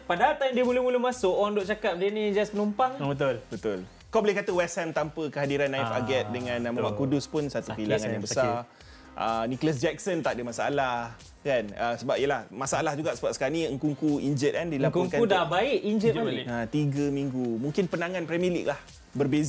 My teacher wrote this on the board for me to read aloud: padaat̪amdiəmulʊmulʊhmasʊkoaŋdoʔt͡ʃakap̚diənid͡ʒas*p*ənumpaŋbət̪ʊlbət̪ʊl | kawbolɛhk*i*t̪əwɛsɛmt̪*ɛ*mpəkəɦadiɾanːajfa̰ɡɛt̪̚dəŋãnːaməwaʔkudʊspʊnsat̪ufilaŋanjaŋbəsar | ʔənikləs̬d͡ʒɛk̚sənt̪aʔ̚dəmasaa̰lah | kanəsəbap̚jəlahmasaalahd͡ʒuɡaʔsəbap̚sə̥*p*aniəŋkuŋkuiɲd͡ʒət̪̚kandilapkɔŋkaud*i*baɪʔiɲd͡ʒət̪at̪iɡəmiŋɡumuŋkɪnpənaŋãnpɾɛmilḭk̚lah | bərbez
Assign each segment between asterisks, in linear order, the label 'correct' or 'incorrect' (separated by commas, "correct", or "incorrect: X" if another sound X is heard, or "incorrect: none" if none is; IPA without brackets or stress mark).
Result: correct, incorrect: a, incorrect: a, incorrect: k, incorrect: a